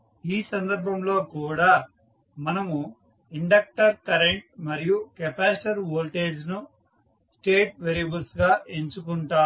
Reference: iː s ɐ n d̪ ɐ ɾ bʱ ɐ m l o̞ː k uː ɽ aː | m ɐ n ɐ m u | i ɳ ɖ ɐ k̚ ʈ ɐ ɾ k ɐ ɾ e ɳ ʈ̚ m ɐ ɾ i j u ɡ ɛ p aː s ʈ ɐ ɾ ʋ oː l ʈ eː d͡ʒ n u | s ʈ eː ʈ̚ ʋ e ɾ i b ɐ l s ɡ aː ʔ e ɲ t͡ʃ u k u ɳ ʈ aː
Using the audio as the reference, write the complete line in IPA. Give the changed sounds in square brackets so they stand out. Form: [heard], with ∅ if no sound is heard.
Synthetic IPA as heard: iː s ɐ n d̪ ɐ ɾ bʱ ɐ m l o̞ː k uː ɽ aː | m ɐ n ɐ m u | i ɳ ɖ ɐ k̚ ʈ ɐ ɾ k ɐ ɾ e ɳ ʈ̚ m ɐ ɾ i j u [k] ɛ p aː s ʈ ɐ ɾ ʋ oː l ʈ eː d͡ʒ n u | s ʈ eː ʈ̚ ʋ e ɾ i b ɐ l s ɡ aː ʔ e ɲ t͡ʃ u k u ɳ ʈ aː